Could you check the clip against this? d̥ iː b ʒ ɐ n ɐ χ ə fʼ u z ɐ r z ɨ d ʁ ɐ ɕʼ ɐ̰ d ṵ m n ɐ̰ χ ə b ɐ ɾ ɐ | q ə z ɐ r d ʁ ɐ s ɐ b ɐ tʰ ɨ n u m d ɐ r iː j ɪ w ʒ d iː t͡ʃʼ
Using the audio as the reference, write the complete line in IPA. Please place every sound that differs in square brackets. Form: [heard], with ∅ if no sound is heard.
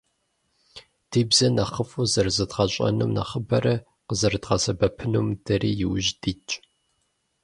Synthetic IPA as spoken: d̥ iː b [z] ɐ n ɐ χ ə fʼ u z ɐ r z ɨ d ʁ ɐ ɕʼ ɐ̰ [n] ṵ m n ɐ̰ χ ə b ɐ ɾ ɐ | q ə z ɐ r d ʁ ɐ s ɐ b ɐ [pʰ] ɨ n u m d ɐ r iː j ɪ w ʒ d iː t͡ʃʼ